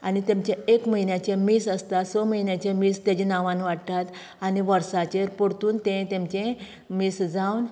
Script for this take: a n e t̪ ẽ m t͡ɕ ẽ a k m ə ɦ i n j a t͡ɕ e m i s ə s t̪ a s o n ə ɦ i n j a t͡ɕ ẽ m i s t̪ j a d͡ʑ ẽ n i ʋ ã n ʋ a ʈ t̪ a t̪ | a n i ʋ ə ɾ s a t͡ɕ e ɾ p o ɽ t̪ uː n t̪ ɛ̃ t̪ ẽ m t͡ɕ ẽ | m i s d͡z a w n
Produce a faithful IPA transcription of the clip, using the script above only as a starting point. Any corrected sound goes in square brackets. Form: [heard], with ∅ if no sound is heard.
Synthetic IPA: a n [i] t̪ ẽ m t͡ɕ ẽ [e] k m ə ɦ i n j a t͡ɕ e m i s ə s t̪ a s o [m] ə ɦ i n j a t͡ɕ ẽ m i s t̪ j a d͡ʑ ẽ n [a] ʋ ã n ʋ a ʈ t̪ a t̪ | a n i ʋ ə ɾ s a t͡ɕ e ɾ p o ɽ t̪ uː n t̪ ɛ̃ t̪ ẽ m t͡ɕ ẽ | m i s d͡z a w n